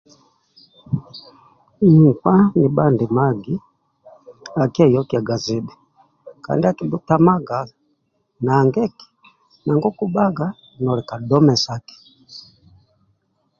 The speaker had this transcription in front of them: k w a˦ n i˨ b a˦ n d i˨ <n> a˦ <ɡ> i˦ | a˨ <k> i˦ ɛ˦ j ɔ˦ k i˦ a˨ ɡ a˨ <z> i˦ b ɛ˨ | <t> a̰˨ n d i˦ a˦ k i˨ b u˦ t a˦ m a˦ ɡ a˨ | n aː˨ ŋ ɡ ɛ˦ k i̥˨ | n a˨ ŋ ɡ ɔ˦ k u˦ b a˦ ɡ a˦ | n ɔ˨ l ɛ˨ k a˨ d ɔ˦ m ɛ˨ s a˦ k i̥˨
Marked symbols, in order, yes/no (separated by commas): no, yes, yes, yes, no